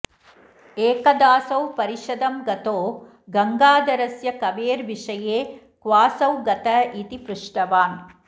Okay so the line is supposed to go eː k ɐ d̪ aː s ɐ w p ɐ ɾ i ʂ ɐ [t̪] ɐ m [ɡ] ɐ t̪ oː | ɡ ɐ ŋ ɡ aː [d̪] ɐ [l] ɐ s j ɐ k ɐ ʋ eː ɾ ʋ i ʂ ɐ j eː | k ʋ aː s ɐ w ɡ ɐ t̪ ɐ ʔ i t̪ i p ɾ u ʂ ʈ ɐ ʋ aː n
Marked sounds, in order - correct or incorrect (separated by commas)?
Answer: incorrect, correct, correct, incorrect